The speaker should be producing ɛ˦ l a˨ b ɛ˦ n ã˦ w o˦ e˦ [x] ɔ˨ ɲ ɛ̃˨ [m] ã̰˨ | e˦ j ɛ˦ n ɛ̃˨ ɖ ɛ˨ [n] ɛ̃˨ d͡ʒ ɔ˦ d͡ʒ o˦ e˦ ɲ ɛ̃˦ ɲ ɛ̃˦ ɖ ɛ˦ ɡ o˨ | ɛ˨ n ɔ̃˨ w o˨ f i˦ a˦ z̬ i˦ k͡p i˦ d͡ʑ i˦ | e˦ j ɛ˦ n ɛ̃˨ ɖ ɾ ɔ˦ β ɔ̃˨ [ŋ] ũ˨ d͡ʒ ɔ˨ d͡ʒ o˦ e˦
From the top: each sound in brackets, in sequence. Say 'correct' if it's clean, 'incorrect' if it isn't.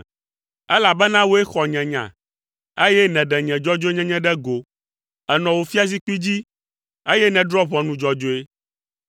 correct, incorrect: ɲ, incorrect: ɲ, incorrect: n

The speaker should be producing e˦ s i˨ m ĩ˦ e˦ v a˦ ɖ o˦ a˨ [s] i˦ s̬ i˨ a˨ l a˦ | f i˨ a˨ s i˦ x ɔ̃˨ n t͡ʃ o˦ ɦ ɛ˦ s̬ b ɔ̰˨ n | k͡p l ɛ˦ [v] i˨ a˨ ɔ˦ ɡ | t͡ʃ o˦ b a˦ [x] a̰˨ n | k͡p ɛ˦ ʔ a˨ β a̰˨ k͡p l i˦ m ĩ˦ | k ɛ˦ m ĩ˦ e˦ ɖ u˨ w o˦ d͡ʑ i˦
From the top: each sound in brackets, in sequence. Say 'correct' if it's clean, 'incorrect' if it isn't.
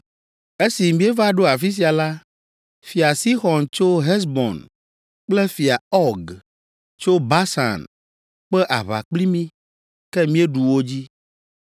incorrect: f, incorrect: f, incorrect: s

